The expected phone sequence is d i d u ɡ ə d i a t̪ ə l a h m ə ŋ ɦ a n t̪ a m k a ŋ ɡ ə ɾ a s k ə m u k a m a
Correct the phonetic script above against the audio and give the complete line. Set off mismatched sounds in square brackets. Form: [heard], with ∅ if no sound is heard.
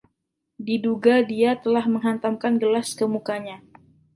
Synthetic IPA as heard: d i d u ɡ [a] d i a t̪ ə l a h m ə ŋ ɦ a n t̪ a m k a [n] ɡ ə [l] a s k ə m u k a [ɲ] a